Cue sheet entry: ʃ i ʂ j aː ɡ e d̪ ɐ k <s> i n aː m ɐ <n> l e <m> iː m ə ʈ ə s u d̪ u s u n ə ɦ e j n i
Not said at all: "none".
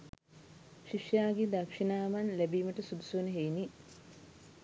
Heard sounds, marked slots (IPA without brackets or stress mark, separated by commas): ʂ, n, b